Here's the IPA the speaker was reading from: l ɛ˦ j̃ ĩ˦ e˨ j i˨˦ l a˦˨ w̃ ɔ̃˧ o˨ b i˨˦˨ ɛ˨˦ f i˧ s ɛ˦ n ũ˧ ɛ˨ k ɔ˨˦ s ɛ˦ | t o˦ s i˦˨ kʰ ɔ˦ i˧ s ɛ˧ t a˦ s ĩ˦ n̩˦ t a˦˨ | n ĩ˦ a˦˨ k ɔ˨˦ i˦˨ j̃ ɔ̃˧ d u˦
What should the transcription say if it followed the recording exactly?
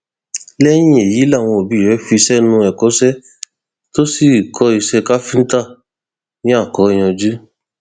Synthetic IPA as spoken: l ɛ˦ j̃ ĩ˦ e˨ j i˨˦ l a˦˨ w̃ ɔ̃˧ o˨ b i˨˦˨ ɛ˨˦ f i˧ s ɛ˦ n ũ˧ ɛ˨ k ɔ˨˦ s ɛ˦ | t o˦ s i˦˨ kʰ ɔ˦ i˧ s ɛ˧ k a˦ f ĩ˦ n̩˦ t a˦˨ | n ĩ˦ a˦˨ k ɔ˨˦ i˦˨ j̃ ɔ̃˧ d͡ʒ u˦